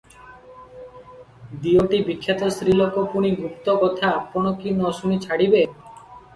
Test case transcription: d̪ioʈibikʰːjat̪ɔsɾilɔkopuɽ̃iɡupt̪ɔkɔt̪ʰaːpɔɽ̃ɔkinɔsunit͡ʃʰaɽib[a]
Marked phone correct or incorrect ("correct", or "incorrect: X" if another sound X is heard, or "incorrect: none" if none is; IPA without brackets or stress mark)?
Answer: incorrect: e